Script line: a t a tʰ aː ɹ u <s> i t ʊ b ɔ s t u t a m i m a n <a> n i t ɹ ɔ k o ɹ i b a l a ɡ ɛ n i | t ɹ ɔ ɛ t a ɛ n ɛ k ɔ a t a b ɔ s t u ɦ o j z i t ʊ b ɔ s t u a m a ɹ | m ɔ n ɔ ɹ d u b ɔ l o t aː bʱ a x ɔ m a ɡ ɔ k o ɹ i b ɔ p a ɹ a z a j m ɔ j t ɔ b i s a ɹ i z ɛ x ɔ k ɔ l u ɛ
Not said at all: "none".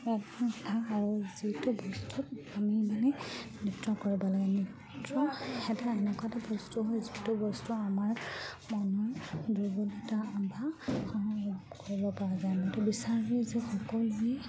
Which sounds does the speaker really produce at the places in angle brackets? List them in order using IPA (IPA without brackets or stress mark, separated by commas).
z, ɛ